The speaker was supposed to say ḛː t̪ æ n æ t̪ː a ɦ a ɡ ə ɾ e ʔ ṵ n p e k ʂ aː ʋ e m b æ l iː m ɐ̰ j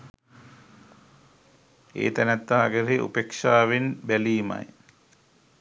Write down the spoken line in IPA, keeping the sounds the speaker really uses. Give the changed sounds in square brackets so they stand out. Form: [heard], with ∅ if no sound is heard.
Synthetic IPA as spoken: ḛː t̪ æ n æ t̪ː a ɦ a ɡ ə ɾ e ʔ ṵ [∅] p e k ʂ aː ʋ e [n] b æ l iː m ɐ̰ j